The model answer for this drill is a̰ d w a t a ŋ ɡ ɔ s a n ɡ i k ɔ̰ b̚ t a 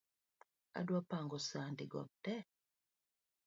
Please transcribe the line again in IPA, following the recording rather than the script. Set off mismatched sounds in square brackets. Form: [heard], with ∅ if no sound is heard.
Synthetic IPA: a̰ d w a [p] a ŋ ɡ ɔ s a n [d] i [ɡ] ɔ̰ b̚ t [ɛ]